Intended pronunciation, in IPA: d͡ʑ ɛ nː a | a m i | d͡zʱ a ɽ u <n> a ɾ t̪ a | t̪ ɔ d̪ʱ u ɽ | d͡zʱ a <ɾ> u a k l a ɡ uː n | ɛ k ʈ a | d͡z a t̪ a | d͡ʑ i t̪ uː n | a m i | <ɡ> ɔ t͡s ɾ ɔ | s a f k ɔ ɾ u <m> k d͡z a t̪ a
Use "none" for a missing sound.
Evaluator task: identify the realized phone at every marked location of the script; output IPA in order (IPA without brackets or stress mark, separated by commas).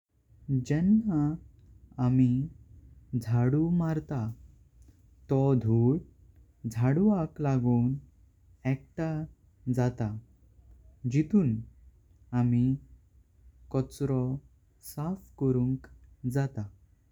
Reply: m, ɽ, k, ŋ